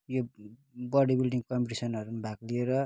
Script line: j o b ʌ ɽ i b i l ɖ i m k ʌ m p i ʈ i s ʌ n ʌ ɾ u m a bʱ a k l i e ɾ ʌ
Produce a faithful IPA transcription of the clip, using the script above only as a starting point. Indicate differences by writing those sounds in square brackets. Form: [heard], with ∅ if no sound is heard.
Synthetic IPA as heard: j o b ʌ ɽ i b i l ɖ i [ŋ] k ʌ m p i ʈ i s ʌ n ʌ ɾ u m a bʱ a k l i e ɾ ʌ